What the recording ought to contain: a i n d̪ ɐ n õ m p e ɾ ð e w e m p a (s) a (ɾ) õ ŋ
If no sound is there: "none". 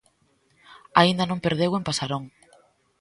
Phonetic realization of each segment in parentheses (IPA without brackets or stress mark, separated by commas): s, ɾ